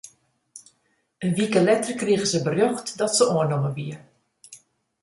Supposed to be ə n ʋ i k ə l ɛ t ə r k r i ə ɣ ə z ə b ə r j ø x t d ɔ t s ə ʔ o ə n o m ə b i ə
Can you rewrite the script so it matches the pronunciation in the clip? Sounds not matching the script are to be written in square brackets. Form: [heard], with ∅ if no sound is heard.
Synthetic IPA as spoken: ə n ʋ i k ə l ɛ t ə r k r i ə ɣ ə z ə b ə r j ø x t d ɔ t s ə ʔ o ə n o m ə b i ə